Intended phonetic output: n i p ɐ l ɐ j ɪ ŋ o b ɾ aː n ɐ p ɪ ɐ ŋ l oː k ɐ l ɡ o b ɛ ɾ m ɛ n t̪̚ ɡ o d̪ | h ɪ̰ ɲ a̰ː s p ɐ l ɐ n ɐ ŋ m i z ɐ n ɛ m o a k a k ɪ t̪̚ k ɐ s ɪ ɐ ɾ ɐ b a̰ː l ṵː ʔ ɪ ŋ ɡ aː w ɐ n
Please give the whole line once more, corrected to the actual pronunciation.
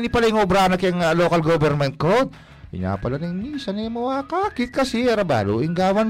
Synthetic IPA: n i p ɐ l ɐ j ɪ ŋ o b ɾ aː n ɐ k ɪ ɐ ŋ l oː k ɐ l ɡ o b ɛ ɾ m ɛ n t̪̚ k o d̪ | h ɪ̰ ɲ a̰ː p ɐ l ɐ n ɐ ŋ m i s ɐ n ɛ m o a k a k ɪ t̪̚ k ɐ s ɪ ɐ ɾ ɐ b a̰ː l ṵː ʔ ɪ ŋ ɡ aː w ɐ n